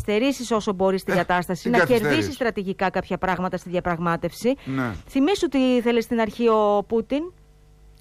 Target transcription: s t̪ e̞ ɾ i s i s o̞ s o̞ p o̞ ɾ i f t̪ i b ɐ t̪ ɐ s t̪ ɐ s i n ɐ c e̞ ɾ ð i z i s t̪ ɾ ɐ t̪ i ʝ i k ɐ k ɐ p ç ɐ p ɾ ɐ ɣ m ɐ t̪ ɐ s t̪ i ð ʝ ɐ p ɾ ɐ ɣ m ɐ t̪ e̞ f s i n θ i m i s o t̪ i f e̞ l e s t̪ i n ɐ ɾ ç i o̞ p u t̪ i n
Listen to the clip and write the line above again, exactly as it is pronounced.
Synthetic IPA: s t̪ e̞ ɾ i s i s o̞ s o̞ b o̞ ɾ i s t̪ i ɡ ɐ t̪ ɐ s t̪ ɐ s i n ɐ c e̞ ɾ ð i s i s t̪ ɾ ɐ t̪ i ʝ i k ɐ k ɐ p ç ɐ p ɾ ɐ ɣ m ɐ t̪ ɐ s t̪ i ð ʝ ɐ p ɾ ɐ ɣ m ɐ t̪ e̞ f s i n θ i m i s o t̪ i θ e̞ l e s t̪ i n ɐ ɾ ç i o̞ p u t̪ i n